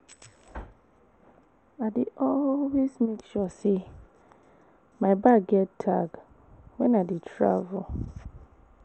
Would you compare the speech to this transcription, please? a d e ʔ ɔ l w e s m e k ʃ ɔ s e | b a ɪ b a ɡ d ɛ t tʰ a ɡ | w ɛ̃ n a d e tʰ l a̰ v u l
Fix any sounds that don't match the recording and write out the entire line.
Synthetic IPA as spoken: a d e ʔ ɔ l w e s m e k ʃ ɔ s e | m a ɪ b a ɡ ɡ ɛ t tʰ a ɡ | w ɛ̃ n a d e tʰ ɹ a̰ v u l